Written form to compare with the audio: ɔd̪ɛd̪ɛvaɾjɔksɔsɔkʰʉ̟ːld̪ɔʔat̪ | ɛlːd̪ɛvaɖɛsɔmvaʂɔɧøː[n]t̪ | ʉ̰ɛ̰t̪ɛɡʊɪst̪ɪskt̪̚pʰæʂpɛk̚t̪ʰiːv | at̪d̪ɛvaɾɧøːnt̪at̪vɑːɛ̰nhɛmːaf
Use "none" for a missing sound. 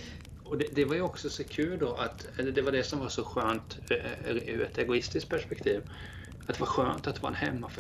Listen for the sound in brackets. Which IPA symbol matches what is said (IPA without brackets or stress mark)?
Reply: n